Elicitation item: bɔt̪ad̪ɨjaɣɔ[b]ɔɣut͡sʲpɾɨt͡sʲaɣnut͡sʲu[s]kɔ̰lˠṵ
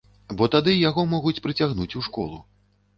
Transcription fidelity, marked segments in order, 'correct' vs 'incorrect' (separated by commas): incorrect, incorrect